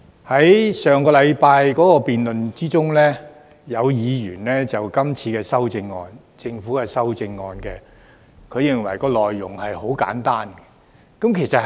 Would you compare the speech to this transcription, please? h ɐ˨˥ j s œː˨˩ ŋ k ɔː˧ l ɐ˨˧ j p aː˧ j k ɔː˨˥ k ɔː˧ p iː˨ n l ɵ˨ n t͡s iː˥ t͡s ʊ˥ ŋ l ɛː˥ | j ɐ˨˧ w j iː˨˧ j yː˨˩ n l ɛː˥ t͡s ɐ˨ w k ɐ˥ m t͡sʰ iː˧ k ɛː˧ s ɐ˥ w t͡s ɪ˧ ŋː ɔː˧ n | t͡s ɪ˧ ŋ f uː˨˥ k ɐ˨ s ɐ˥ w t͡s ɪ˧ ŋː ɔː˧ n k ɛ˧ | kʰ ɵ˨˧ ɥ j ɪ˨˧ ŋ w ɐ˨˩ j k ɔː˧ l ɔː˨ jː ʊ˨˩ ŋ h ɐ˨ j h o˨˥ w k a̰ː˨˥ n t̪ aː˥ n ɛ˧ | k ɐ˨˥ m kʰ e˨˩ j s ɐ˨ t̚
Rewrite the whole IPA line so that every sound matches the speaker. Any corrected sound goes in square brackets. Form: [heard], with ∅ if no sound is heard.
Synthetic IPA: h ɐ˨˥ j s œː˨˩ ŋ k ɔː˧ l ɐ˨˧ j p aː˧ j k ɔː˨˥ k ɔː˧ p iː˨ n l ɵ˨ n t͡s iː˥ t͡s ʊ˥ ŋ l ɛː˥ | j ɐ˨˧ w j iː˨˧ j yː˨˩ n l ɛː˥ t͡s ɐ˨ w k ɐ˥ m t͡sʰ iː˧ k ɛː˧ s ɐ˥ w t͡s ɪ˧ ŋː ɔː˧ n | t͡s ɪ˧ ŋ f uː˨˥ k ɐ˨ s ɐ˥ w t͡s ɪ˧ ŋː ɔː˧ n k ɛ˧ | kʰ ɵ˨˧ ɥ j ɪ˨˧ ŋ w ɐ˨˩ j k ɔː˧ l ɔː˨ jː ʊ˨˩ ŋ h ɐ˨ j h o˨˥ w k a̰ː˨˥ n t̪ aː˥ n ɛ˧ | k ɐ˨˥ m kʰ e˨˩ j s ɐ˨ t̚

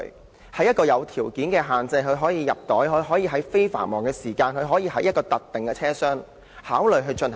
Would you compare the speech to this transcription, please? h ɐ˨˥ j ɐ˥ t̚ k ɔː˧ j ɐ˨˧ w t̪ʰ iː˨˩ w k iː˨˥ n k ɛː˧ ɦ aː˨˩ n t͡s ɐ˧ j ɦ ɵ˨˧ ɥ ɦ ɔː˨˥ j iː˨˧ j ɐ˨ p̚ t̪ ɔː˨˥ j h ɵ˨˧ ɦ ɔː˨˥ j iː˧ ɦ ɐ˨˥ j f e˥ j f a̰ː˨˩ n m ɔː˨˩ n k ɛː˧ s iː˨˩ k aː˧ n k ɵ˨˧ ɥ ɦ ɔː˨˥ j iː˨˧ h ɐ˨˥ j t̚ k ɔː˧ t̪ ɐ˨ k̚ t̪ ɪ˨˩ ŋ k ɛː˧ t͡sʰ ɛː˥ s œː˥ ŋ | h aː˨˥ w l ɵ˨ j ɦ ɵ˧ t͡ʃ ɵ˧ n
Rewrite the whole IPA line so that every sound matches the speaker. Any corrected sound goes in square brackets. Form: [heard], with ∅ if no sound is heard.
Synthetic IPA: h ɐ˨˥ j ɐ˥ t̚ k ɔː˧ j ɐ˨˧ w t̪ʰ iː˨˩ w k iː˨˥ n k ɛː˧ ɦ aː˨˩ n t͡s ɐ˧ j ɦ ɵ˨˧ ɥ ɦ ɔː˨˥ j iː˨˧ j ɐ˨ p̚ t̪ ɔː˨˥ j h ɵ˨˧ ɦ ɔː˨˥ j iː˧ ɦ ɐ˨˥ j f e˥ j f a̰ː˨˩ n m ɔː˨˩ [ŋ] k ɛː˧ s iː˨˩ k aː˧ n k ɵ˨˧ ɥ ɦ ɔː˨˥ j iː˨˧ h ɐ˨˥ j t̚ k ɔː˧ t̪ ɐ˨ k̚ t̪ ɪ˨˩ ŋ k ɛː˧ t͡sʰ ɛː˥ s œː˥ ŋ | h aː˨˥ w l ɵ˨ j ɦ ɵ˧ t͡ʃ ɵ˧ n

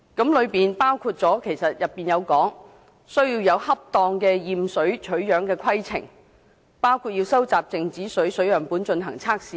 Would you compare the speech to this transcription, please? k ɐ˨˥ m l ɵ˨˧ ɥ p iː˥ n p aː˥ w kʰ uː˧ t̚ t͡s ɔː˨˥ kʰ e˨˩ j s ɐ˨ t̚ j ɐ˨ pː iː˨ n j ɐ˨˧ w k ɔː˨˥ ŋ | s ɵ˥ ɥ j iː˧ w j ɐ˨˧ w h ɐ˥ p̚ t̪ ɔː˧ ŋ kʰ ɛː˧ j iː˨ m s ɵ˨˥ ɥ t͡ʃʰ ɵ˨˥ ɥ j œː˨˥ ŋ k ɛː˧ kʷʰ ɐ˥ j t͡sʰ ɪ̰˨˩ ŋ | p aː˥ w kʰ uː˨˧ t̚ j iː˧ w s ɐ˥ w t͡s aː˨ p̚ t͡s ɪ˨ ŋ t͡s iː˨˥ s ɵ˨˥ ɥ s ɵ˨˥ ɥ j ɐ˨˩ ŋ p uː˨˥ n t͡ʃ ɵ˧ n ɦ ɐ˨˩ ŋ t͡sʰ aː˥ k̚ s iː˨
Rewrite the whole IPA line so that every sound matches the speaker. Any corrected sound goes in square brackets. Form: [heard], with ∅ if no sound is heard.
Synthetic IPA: k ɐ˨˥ m l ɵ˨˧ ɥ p [iː˨] n p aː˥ w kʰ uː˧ t̚ t͡s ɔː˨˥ kʰ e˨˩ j s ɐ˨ t̚ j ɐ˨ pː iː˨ n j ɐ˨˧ w k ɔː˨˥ ŋ | s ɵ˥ ɥ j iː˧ w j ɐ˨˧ w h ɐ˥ p̚ t̪ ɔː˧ ŋ [k] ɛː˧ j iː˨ m s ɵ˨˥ ɥ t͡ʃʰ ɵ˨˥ ɥ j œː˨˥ ŋ k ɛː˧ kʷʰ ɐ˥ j t͡sʰ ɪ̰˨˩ ŋ | p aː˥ w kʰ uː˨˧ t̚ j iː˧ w s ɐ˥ w t͡s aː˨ p̚ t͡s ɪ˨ ŋ t͡s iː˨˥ s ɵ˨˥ ɥ s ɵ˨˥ ɥ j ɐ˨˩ ŋ p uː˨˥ n t͡ʃ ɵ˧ n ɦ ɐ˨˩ ŋ t͡sʰ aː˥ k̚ s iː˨

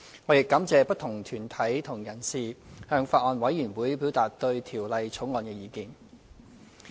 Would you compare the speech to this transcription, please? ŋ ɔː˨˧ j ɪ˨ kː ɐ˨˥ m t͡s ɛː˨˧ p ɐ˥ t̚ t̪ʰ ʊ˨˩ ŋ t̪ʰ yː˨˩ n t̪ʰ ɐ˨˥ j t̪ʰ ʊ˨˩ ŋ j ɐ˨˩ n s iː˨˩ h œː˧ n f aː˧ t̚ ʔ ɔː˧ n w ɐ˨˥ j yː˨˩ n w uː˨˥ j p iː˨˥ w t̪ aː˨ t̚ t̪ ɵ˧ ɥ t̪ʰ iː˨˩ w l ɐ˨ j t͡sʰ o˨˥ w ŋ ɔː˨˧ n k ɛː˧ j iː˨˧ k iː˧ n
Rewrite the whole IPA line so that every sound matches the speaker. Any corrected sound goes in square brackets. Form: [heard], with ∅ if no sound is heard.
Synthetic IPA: ŋ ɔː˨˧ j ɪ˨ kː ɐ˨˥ m t͡s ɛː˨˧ p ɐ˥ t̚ t̪ʰ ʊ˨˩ ŋ t̪ʰ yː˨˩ n t̪ʰ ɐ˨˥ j t̪ʰ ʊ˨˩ ŋ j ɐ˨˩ n s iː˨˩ h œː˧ [ŋ] f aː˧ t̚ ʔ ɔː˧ n w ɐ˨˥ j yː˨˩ n w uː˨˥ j p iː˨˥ w t̪ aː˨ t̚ t̪ ɵ˧ ɥ t̪ʰ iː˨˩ w l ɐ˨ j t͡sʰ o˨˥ w ŋ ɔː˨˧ n k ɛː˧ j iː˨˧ k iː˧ n

